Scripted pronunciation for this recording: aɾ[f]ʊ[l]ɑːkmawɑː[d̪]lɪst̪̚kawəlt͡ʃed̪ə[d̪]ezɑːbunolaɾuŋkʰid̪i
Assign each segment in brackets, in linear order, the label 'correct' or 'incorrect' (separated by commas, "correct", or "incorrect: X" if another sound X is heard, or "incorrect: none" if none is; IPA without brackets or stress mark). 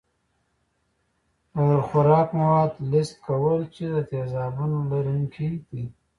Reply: incorrect: x, incorrect: ɾ, correct, incorrect: t̪